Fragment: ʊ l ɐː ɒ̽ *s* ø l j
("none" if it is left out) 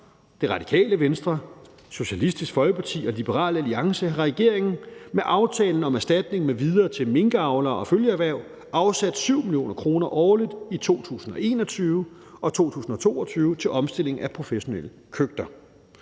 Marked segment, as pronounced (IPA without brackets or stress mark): f